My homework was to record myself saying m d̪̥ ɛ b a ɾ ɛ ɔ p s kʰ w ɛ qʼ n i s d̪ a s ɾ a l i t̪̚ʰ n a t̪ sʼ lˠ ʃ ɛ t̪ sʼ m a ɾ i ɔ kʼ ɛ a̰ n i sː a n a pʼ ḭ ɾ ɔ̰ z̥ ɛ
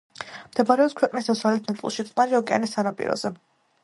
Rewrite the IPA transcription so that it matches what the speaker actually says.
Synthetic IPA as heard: m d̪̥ ɛ b a ɾ ɛ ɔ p s kʰ w ɛ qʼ n i s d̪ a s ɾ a l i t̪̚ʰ n a t̪ sʼ lˠ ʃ i t̪ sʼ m a ɾ i ɔ kʼ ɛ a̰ n i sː a n a pʼ ḭ ɾ ɔ̰ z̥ ɛ

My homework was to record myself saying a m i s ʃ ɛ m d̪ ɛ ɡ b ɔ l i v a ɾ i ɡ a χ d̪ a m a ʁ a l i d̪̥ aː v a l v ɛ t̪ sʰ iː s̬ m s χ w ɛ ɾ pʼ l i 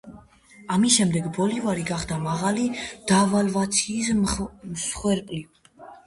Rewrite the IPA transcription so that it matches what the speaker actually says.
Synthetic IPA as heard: a m i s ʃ ɛ m d̪ ɛ ɡ b ɔ l i v a ɾ i ɡ a χ d̪ a m a ʁ a l i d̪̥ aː v a l v a t̪ sʰ iː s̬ m s χ w ɛ ɾ pʼ l i

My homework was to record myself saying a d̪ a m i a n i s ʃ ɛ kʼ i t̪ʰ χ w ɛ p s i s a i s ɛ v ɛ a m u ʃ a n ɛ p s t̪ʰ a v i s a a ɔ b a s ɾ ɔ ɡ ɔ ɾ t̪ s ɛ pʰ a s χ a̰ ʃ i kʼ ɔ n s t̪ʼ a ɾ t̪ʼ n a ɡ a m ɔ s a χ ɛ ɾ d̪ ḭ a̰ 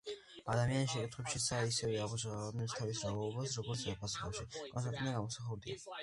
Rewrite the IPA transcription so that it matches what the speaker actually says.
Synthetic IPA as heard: a d̪ a m i a n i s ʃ ɛ kʼ i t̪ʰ χ w ɛ p ʃ i s a i s ɛ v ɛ a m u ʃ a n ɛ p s t̪ʰ a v i s a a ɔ b a s ɾ ɔ ɡ ɔ ɾ t̪ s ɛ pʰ a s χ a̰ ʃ i kʼ ɔ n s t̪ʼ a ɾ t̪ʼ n a ɡ a m ɔ s a χ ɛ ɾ d̪ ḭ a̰

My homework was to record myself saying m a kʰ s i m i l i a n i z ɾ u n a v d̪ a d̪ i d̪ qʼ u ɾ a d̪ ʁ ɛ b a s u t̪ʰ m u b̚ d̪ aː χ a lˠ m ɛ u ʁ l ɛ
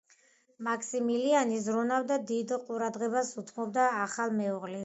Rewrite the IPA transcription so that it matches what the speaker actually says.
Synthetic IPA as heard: m a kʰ s i m i l i a n i z ɾ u n a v d̪ a d̪ i d̪ qʼ u ɾ a d̪ ʁ ɛ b a s u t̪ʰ m ɔ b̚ d̪ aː χ a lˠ m ɛ u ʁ l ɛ

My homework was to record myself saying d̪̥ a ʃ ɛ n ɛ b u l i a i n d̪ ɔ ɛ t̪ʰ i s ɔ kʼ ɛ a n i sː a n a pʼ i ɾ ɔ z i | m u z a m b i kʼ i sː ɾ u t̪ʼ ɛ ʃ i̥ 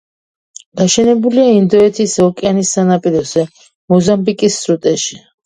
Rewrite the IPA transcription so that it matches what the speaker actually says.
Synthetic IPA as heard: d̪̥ a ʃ ɛ n ɛ b u l i a i n d̪ ɔ ɛ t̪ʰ i s ɔ kʼ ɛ a n i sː a n a pʼ i ɾ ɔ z ɛ | m ɔ z a m b i kʼ i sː ɾ u t̪ʼ ɛ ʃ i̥

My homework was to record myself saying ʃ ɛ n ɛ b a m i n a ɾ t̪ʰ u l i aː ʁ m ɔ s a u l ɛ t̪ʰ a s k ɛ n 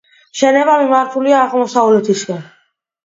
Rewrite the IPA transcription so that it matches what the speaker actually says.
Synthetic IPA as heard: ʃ ɛ n ɛ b a m i m a ɾ t̪ʰ u l i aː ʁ m ɔ s a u l ɛ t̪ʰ i s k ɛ n

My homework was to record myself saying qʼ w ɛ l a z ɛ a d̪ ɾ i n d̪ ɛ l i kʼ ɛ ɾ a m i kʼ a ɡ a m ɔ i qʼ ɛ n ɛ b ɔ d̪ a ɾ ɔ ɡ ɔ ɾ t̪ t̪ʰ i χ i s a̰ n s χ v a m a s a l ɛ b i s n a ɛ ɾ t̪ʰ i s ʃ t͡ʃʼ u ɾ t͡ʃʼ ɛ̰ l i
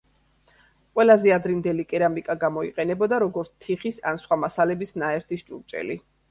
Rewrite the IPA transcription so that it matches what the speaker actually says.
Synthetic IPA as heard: qʼ w ɛ l a z ɛ a d̪ ɾ i n d̪ ɛ l i kʼ ɛ ɾ a m i kʼ a ɡ a m ɔ i qʼ ɛ n ɛ b ɔ d̪ a ɾ ɔ ɡ ɔ ɾ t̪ t̪ʰ i χ i s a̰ n s χ w a m a s a l ɛ b i s n a ɛ ɾ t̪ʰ i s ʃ t͡ʃʼ u ɾ t͡ʃʼ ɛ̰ l i

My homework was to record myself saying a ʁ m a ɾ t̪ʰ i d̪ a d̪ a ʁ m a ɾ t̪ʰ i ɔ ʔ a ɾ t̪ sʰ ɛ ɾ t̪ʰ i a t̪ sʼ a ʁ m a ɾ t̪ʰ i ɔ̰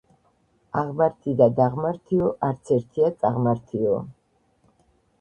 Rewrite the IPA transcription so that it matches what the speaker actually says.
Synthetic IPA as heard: a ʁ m a ɾ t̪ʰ i d̪ a d̪ a ʁ m a ɾ t̪ʰ i ɔ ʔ a ɾ t̪ sʰ ɛ ɾ t̪ʰ i a t̪ sʼ a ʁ m a ɾ t̪ʰ i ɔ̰

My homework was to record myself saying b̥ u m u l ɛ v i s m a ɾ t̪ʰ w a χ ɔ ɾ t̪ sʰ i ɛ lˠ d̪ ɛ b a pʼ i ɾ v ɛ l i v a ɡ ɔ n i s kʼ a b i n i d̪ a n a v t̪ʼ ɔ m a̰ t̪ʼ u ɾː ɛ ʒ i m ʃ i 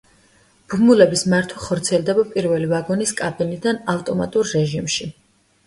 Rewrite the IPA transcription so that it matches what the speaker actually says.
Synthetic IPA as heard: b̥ u m u l ɛ b i s m a ɾ t̪ʰ w a χ ɔ ɾ t̪ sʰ i ɛ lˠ d̪ ɛ b a pʼ i ɾ v ɛ l i v a ɡ ɔ n i s kʼ a b i n i d̪ a n a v t̪ʼ ɔ m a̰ t̪ʼ u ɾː ɛ ʒ i m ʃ i

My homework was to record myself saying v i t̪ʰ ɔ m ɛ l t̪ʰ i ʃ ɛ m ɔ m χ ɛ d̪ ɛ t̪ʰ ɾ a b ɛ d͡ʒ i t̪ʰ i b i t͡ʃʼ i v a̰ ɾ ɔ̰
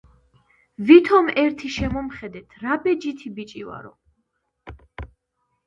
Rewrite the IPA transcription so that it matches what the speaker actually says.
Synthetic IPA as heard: v i t̪ʰ ɔ m ɛ ɾ t̪ʰ i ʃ ɛ m ɔ m χ ɛ d̪ ɛ t̪ʰ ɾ a b ɛ d͡ʒ i t̪ʰ i b i t͡ʃʼ i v a̰ ɾ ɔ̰

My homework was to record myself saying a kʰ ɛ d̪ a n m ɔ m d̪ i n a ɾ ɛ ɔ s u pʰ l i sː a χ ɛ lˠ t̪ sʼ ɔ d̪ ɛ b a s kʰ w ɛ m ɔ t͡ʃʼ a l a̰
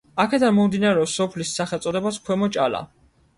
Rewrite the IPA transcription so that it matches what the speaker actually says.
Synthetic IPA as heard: a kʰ ɛ d̪ a n m ɔ m d̪ i n a ɾ ɛ ɔ s ɔ pʰ l i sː a χ ɛ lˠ t̪ sʼ ɔ d̪ ɛ b a s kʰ w ɛ m ɔ t͡ʃʼ a l a̰

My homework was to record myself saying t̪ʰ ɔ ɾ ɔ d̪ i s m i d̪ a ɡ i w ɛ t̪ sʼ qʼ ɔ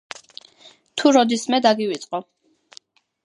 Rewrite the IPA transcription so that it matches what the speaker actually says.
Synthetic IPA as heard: t̪ʰ u ɾ ɔ d̪ i s m ɛ d̪ a ɡ i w i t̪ sʼ qʼ ɔ

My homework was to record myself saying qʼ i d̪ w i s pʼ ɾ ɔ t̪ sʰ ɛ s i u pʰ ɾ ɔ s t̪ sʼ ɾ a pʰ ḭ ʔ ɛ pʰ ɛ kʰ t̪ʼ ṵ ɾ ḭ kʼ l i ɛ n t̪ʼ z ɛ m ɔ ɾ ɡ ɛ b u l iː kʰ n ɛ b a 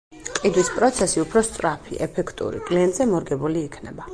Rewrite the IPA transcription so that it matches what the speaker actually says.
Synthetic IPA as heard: qʼ i d̪ w i s pʼ ɾ ɔ t̪ sʰ ɛ s i u pʰ ɾ ɔ s t̪ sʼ ɾ a pʰ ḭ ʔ ɛ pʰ ɛ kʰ t̪ʼ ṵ ɾ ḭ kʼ l i ɛ n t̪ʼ z ɛ m ɔ ɾ ɡ ɛ b u l iː kʰ n ɛ b a

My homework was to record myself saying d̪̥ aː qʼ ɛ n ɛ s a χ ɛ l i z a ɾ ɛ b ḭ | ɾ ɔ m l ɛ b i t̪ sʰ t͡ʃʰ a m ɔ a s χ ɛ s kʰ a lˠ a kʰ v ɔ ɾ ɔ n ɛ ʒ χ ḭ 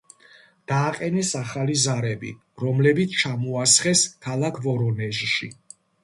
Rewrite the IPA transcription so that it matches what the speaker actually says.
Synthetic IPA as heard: d̪̥ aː qʼ ɛ n ɛ s a χ a l i z a ɾ ɛ b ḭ | ɾ ɔ m l ɛ b i t̪ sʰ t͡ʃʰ a m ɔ a s χ ɛ s kʰ a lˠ a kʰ v ɔ ɾ ɔ n ɛ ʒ ʃ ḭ

